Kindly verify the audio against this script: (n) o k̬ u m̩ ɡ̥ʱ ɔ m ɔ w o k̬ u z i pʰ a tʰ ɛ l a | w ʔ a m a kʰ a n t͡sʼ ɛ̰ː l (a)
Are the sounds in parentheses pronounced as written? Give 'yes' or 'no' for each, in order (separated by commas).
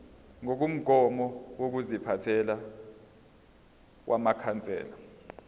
no, yes